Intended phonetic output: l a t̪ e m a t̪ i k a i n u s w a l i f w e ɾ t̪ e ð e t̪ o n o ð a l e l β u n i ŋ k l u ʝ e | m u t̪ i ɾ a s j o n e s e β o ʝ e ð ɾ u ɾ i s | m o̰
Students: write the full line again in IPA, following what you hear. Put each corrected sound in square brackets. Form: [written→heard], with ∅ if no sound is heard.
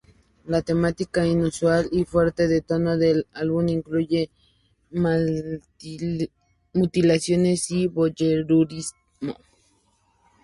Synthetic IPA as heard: l a t̪ e m a t̪ i k a i n u s w a l i f w e ɾ t̪ e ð e t̪ o n o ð [a→e] l [e→a] l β u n i ŋ k l u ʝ e | m u t̪ i [ɾ→l] a s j o n e s [e→i] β o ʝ e [ð→∅] ɾ u ɾ i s | m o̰